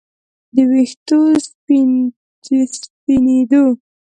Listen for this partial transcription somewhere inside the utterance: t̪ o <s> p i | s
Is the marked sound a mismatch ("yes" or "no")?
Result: no